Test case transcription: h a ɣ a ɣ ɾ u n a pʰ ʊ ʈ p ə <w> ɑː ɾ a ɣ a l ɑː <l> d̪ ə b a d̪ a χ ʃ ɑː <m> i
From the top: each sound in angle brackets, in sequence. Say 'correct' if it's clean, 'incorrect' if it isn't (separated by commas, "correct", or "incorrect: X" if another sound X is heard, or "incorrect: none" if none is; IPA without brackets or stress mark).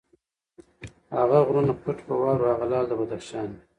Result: correct, correct, incorrect: n